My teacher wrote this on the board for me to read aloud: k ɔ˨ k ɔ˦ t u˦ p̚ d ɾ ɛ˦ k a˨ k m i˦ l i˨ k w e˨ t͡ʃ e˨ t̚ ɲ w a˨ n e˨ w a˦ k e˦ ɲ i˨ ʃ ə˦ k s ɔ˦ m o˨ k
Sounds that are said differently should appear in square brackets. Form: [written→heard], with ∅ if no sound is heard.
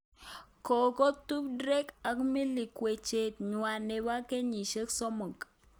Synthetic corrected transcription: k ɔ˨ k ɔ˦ t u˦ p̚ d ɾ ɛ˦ k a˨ k m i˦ l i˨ k w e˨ t͡ʃ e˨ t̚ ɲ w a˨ n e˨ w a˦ k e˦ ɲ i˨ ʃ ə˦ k s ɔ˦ m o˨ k